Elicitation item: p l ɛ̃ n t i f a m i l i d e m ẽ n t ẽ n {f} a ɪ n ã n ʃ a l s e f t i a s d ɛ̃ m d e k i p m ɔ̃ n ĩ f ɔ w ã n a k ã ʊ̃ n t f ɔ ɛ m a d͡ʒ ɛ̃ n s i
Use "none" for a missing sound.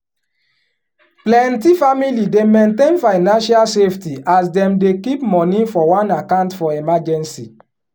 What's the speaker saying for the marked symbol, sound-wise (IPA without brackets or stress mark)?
f